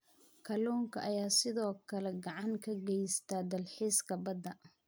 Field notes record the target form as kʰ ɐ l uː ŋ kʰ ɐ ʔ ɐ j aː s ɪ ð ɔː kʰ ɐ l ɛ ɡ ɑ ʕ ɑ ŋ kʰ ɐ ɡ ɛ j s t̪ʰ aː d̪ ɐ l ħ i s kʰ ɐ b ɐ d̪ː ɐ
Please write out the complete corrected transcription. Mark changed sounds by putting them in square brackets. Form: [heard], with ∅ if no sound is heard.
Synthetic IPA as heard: kʰ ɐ l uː ŋ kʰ ɐ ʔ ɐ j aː s ɪ ð ɔː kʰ ɐ l ɛ ɡ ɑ ʕ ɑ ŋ kʰ ɐ ɡ ɛ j s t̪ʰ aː d̪ ɐ l ħ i s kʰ ɐ b ɐ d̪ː ɐ

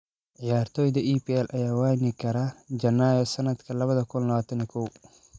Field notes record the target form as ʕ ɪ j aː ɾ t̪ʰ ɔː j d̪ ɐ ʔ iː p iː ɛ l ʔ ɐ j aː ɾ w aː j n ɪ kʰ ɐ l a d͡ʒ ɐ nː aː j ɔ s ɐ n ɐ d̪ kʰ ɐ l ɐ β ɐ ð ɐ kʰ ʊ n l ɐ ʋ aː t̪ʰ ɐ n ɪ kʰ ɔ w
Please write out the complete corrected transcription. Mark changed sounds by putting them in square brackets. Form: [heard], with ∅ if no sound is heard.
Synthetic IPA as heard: ʕ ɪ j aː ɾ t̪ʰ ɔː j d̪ ɐ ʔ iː p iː ɛ l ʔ ɐ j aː [∅] w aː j n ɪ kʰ ɐ [ɾ] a d͡ʒ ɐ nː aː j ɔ s ɐ n ɐ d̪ kʰ ɐ l ɐ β ɐ ð ɐ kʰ ʊ n l ɐ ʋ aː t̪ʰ ɐ n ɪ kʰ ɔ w

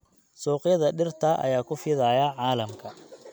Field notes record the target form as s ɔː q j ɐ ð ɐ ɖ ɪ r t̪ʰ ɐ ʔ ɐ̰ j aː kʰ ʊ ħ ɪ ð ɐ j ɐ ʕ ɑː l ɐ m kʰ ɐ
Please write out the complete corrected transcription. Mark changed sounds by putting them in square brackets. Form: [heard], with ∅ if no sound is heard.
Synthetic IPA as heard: s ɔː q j ɐ ð ɐ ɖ ɪ r t̪ʰ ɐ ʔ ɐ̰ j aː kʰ ʊ [f] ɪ ð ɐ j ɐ ʕ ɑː l ɐ m kʰ ɐ

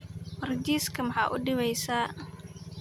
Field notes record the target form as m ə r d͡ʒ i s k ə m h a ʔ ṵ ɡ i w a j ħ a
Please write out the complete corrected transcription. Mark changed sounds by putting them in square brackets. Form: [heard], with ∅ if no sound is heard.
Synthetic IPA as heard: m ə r d͡ʒ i s k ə m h a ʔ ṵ [d] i w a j [s] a

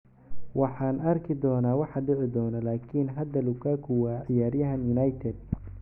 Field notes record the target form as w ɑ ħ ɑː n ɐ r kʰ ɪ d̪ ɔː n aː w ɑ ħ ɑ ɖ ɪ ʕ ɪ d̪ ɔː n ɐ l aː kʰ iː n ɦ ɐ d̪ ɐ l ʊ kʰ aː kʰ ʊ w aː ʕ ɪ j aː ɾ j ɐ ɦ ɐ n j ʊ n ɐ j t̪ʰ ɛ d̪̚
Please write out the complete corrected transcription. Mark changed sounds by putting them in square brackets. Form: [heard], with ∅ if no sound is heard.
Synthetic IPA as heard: w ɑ ħ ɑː n ɐ r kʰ ɪ d̪ ɔː n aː w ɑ ħ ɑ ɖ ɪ ʕ ɪ d̪ ɔː n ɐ l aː kʰ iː n ɦ ɐ d̪ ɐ l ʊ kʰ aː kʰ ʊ w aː ʕ ɪ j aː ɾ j ɐ ɦ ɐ n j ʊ n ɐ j t̪ʰ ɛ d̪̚

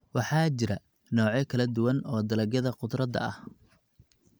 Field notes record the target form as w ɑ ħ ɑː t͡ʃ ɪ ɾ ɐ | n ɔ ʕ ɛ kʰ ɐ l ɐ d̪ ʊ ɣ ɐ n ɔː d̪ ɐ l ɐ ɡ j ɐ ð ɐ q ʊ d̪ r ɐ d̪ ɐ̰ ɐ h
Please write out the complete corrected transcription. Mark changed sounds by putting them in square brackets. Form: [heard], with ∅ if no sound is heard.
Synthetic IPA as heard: w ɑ ħ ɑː t͡ʃ ɪ ɾ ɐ | n [ɔː] ʕ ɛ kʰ ɐ l ɐ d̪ ʊ [w] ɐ n ɔː d̪ ɐ l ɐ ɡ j ɐ ð ɐ q ʊ d̪ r ɐ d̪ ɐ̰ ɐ h

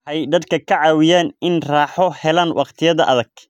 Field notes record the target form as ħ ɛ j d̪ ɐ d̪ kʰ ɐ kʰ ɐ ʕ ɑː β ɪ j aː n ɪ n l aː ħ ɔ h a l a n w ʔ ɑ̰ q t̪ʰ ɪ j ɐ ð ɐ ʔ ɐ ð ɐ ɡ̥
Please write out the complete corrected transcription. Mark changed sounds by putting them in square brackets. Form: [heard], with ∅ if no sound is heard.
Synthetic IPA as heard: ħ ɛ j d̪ ɐ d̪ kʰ ɐ kʰ ɐ ʕ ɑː [w] ɪ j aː n ɪ n [r] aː ħ ɔ h [ɛ] l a n w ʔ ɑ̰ q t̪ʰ ɪ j ɐ ð ɐ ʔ ɐ ð ɐ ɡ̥

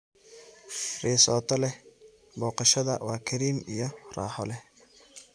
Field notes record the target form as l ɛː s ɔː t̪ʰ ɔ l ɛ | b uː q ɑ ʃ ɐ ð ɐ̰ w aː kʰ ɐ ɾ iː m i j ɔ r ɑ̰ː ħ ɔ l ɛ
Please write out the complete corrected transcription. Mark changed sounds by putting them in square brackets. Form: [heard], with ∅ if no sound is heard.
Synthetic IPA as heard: [r] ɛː s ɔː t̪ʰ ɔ l ɛ | b [ɔː] q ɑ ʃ ɐ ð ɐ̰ w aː kʰ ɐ ɾ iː m i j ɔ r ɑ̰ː ħ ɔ l ɛ

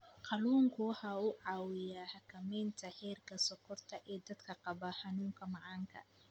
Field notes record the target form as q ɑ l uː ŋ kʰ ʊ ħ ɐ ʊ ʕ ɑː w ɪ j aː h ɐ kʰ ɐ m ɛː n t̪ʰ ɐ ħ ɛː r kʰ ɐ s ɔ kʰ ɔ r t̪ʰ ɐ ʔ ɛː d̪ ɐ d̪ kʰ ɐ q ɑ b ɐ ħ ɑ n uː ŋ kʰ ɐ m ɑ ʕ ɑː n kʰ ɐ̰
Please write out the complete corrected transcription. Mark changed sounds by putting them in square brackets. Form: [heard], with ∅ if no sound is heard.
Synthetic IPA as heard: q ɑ l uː ŋ kʰ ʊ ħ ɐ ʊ ʕ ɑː w ɪ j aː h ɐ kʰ ɐ m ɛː n t̪ʰ ɐ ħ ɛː r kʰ ɐ s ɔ kʰ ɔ r t̪ʰ ɐ ʔ ɛː d̪ ɐ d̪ kʰ ɐ q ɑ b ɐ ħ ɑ n uː ŋ kʰ ɐ m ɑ ʕ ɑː [ŋ] kʰ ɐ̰

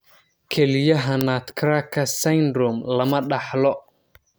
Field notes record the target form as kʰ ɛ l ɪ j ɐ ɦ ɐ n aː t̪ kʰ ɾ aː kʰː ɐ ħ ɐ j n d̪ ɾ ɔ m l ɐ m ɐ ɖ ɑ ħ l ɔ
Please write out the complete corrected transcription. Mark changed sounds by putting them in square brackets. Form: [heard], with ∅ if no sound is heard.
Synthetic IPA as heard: kʰ ɛ l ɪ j ɐ ɦ ɐ n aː t̪ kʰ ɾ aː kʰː ɐ [s] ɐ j n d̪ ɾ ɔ m l ɐ m ɐ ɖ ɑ ħ l ɔ

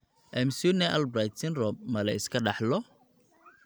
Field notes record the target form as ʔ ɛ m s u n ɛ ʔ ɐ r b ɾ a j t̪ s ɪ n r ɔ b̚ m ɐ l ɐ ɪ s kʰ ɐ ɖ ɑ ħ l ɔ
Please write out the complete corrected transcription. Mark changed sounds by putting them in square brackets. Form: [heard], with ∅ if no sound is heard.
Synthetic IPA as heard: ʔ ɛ m s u n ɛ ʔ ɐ [l] b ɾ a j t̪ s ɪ n r ɔ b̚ m ɐ l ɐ ɪ s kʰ ɐ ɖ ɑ ħ l ɔ

